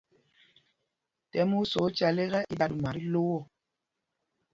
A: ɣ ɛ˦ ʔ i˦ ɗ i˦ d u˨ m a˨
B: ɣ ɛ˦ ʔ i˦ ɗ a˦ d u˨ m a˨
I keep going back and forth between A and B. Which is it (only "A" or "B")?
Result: B